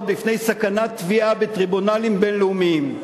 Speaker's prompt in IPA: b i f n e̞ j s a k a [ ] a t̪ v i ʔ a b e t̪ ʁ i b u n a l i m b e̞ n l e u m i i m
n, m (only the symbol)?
n